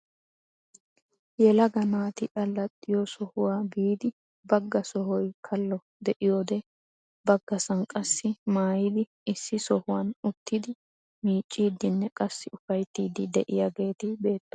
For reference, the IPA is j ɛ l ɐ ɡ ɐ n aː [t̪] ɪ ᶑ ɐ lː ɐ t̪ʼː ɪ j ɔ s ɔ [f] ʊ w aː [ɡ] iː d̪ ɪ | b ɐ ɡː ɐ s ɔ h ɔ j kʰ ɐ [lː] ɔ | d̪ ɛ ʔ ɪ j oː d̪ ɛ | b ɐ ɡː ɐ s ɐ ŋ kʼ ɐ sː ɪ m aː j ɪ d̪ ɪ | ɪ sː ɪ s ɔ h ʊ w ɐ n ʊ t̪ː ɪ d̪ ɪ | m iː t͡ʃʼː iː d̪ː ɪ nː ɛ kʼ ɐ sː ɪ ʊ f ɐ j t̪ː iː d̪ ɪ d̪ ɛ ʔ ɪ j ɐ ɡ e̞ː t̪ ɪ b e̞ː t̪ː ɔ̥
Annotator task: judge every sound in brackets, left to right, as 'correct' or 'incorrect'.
correct, incorrect, incorrect, correct

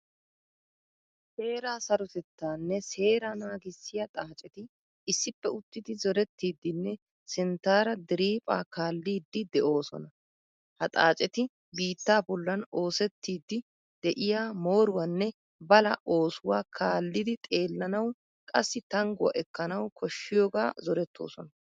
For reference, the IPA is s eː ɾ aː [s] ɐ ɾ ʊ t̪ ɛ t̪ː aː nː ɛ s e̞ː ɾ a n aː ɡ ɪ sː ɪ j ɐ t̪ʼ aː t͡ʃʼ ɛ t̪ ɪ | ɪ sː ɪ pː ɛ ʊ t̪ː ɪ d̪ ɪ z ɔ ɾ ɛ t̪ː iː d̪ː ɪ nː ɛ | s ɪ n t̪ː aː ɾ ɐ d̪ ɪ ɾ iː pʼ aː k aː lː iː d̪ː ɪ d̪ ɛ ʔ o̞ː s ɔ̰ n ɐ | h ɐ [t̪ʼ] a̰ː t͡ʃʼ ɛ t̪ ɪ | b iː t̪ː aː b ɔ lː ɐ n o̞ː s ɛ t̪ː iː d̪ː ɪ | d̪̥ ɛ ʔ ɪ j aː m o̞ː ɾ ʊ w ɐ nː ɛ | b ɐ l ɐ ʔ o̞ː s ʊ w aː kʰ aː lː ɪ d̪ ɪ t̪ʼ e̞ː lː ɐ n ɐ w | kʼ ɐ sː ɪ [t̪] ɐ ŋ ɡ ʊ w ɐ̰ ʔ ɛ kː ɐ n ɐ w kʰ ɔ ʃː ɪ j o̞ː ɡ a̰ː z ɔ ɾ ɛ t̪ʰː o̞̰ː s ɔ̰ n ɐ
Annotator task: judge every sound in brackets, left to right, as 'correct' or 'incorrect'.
correct, correct, correct

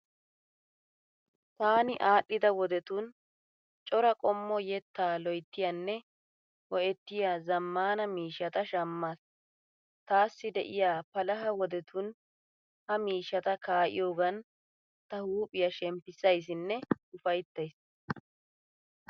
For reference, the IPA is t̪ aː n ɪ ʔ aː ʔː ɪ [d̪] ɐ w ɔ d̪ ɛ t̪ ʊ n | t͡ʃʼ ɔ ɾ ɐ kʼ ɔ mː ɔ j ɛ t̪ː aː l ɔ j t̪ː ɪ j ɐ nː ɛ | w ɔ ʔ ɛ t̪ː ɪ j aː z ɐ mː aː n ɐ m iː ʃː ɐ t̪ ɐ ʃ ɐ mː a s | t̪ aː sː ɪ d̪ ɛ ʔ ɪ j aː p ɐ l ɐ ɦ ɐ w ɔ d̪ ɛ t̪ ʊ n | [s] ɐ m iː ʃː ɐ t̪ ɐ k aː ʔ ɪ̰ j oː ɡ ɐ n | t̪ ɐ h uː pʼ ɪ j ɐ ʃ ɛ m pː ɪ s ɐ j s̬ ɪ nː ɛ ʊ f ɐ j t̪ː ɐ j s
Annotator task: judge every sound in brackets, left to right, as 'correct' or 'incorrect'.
correct, incorrect

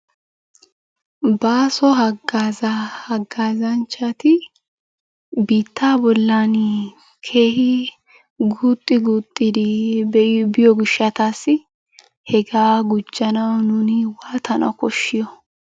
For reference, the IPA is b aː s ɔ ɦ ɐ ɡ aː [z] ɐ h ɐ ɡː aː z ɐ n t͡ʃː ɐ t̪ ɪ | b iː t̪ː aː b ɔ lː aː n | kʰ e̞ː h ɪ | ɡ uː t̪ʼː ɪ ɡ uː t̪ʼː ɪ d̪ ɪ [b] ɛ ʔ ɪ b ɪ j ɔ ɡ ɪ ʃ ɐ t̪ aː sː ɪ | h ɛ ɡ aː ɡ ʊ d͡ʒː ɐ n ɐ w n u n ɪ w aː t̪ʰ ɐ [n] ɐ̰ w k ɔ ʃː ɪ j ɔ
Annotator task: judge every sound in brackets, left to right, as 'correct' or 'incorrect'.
correct, correct, correct

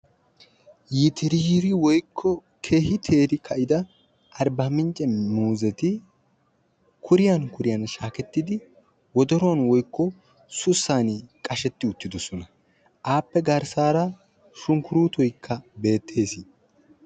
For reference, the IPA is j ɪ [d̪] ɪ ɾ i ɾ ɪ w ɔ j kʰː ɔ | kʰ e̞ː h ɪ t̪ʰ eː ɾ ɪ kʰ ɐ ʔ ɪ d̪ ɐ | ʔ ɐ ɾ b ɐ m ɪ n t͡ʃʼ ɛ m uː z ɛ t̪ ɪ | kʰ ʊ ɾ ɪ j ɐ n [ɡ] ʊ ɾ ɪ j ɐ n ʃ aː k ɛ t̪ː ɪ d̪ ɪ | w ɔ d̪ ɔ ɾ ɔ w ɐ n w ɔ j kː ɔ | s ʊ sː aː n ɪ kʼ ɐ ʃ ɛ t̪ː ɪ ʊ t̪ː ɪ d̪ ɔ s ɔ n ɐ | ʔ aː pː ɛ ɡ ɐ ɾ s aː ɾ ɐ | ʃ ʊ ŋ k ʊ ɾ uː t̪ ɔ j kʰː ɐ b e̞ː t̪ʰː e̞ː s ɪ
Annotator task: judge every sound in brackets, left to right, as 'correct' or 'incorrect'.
incorrect, incorrect

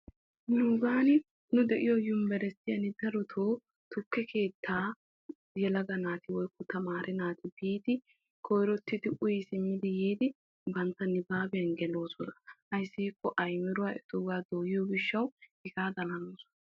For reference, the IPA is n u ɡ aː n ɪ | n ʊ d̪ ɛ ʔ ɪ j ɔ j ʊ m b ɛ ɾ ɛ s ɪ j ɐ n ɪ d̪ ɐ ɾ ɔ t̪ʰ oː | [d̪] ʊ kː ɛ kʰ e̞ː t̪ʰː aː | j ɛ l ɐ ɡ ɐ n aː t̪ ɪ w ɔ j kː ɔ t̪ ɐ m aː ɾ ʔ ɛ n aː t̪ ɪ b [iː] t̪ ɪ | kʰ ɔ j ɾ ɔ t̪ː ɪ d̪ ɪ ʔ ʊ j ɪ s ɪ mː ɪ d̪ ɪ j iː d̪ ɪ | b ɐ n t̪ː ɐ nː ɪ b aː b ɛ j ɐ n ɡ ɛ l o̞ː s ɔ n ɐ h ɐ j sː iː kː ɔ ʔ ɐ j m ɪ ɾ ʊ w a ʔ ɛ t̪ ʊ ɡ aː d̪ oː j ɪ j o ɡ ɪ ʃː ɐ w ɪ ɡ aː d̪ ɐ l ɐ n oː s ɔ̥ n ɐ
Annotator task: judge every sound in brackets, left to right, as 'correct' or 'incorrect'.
incorrect, correct

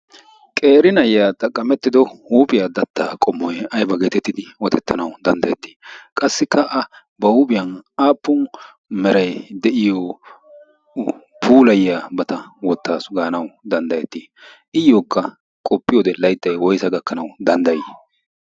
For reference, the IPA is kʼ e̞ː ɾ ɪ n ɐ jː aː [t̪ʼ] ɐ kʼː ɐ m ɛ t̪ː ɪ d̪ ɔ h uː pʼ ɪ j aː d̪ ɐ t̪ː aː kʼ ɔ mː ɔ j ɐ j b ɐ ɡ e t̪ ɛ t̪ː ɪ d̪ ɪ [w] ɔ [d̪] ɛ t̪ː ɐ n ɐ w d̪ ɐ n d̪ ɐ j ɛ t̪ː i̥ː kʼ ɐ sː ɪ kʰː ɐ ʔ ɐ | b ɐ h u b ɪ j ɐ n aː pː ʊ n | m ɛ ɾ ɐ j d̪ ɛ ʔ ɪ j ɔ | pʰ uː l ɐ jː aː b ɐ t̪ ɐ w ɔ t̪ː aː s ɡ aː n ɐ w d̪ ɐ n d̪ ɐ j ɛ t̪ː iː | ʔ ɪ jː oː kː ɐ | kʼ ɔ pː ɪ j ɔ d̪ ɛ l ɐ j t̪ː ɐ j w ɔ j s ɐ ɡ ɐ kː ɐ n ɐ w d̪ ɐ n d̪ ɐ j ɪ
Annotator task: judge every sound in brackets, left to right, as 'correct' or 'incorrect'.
correct, correct, incorrect

